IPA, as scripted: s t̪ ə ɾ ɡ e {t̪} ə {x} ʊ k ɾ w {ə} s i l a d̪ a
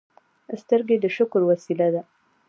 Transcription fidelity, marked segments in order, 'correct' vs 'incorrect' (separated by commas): incorrect, incorrect, incorrect